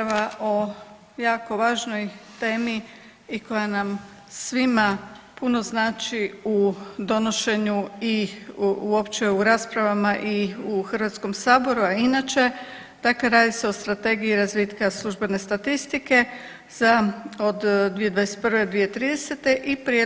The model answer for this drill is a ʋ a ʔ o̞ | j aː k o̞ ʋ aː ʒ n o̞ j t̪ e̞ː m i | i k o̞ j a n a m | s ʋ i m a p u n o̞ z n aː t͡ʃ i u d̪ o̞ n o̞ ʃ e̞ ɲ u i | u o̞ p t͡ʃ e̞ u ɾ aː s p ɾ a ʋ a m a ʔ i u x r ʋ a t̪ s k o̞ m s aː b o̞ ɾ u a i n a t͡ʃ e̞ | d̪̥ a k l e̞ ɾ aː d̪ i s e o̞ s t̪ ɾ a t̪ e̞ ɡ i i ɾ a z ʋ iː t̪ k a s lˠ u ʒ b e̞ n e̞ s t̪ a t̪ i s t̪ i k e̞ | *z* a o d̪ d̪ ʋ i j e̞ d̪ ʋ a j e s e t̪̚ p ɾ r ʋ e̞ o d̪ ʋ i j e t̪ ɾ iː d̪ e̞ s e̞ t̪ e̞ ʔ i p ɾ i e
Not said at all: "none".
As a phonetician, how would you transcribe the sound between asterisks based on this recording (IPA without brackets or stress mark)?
z